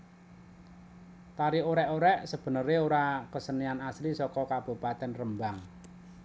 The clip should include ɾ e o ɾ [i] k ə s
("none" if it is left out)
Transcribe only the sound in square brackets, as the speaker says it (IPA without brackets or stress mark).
a